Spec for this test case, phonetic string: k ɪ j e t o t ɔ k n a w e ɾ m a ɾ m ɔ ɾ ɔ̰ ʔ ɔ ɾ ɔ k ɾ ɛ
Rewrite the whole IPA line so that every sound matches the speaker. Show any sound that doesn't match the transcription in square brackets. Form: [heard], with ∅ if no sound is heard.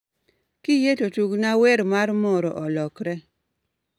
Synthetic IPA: k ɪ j e t o t [u] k n a w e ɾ m a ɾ m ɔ ɾ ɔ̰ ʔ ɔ [l] ɔ k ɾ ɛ